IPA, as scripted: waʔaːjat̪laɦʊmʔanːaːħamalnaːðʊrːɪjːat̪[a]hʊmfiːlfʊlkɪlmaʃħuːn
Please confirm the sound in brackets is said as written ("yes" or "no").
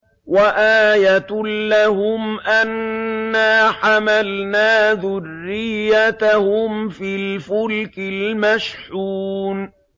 yes